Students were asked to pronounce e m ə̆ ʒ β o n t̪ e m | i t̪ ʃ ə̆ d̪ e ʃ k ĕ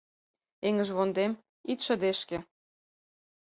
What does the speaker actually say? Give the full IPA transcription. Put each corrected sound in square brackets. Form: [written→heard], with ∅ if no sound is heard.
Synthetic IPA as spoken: e [m→ŋ] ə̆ ʒ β o n [t̪→d̪] e m | i t̪ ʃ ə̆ d̪ e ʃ k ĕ